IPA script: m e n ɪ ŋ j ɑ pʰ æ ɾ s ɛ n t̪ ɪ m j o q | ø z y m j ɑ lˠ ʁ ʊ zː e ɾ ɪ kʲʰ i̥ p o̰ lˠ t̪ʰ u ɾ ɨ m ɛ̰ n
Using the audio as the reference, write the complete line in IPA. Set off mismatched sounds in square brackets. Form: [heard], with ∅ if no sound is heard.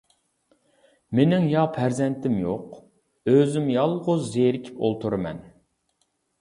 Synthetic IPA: m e n ɪ ŋ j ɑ pʰ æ ɾ [z] ɛ n t̪ ɪ m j o q | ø z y m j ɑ lˠ ʁ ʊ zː e ɾ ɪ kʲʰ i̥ p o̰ lˠ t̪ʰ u ɾ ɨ m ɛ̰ n